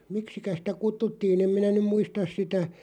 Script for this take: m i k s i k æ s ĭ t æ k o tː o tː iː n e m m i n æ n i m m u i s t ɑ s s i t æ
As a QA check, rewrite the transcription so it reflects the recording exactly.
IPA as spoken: m i k s i k æ s ĭ t æ k u tː u tː iː n e m m i n æ n y m m u i s t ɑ s s i t æ